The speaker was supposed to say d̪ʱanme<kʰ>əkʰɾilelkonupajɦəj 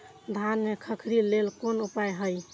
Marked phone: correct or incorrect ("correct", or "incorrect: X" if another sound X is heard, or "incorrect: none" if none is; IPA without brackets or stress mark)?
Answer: correct